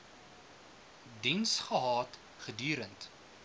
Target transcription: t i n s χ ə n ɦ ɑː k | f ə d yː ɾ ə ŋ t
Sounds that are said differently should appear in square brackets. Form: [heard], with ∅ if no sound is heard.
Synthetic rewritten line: [d] i n s χ ə [∅] ɦ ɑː [t] | [χ] ə d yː ɾ ə [n] t